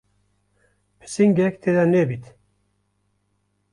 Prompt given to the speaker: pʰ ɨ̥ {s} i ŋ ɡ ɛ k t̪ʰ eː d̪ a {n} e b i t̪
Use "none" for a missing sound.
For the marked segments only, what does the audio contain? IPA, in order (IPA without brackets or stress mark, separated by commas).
s, n